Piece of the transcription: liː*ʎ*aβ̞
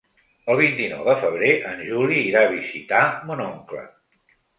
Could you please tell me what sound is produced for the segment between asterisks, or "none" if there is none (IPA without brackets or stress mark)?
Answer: ɾ